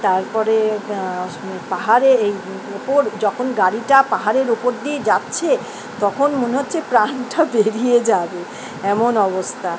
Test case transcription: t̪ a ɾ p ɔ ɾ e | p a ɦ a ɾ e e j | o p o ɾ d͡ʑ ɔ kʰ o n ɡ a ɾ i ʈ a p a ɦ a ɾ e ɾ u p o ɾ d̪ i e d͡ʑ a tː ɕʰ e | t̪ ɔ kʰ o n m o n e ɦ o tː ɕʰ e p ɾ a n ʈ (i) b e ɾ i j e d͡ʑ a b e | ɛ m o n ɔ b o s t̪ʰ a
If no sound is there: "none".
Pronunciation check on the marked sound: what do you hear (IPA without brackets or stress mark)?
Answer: a